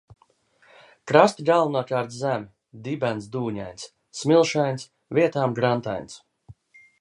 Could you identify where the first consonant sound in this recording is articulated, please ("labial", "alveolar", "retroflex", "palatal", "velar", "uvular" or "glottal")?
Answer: velar